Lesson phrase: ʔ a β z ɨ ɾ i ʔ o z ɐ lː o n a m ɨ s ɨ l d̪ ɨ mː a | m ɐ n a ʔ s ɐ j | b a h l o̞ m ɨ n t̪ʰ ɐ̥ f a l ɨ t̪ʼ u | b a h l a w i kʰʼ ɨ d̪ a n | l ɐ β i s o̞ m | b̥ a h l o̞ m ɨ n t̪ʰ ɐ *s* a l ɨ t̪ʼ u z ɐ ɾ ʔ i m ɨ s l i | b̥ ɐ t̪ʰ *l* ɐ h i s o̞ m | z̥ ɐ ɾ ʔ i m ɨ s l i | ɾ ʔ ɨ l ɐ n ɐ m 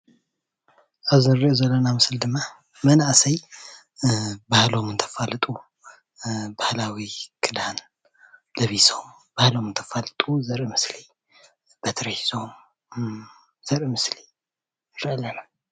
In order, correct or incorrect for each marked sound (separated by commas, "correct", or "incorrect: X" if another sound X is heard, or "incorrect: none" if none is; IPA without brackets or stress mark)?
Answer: incorrect: f, incorrect: ɾ